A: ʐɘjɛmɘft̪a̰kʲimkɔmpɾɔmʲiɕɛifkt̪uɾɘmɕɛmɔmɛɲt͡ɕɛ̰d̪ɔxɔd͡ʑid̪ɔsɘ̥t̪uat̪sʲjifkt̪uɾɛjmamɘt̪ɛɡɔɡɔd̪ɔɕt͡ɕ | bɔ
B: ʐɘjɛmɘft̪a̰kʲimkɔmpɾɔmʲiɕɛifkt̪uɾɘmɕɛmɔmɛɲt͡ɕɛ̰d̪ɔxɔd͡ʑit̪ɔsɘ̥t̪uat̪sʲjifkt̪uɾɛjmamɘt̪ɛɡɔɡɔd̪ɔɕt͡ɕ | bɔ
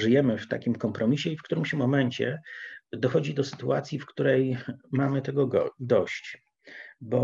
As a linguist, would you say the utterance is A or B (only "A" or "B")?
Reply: A